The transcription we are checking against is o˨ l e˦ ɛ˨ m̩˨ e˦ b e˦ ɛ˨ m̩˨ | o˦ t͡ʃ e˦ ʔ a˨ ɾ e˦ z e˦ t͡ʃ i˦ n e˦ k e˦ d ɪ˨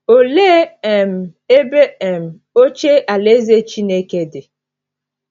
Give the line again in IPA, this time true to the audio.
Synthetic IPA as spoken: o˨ l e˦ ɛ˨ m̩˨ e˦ b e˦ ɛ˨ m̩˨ | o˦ t͡ʃ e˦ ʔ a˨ l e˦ z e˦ t͡ʃ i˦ n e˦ k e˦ d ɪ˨